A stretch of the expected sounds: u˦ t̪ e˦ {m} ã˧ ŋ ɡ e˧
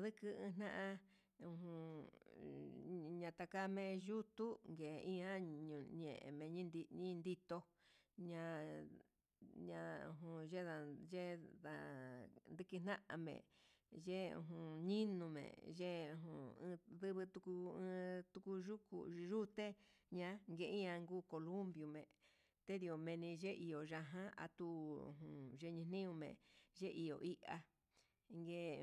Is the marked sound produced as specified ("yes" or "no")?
no